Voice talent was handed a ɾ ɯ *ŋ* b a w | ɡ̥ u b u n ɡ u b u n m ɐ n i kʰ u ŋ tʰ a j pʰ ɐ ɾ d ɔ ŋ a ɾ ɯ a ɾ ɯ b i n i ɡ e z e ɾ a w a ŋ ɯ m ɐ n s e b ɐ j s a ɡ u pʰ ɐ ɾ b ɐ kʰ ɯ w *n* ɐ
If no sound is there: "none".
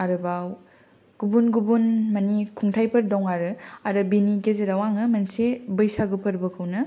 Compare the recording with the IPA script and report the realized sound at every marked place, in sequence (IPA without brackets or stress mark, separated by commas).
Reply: none, n